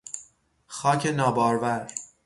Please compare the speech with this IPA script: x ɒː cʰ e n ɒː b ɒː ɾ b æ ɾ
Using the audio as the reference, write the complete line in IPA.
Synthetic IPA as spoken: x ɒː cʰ e n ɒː b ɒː ɾ v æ ɾ